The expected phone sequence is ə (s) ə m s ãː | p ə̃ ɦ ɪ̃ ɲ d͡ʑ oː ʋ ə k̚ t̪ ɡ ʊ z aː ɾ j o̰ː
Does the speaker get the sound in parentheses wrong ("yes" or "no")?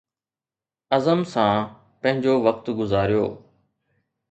yes